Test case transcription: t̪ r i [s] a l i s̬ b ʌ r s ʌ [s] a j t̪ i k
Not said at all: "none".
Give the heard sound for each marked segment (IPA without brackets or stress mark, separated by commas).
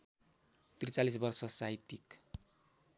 t͡s, s